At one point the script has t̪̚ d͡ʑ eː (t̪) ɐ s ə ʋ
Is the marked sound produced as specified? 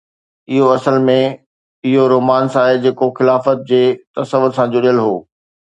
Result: yes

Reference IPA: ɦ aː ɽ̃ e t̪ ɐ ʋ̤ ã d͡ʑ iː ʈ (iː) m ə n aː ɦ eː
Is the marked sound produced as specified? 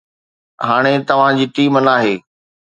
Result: yes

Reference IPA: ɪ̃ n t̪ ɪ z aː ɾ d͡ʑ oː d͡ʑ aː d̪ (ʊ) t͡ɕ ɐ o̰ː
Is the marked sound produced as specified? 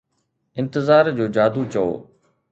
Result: no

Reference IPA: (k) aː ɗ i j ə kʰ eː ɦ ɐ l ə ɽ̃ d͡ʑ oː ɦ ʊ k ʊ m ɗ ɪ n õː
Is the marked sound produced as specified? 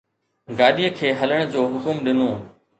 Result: no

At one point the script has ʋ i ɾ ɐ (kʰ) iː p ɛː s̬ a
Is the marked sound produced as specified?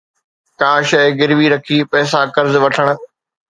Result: yes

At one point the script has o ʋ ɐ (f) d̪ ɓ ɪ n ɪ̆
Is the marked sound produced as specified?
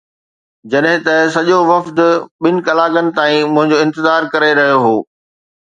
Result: yes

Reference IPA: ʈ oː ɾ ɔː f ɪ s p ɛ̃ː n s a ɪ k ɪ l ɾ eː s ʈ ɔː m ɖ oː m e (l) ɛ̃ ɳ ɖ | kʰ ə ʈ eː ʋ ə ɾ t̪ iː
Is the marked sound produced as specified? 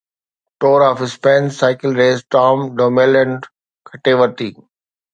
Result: yes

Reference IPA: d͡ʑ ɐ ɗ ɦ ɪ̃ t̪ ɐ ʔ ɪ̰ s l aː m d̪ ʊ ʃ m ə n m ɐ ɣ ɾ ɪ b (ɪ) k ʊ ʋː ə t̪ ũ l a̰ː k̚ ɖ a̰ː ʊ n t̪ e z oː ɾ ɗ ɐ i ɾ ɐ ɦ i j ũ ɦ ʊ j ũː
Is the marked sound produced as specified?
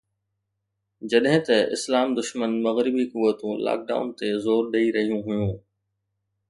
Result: no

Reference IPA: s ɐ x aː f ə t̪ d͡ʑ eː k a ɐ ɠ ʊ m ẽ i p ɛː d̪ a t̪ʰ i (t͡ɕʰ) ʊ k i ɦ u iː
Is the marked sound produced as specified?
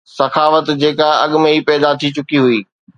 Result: no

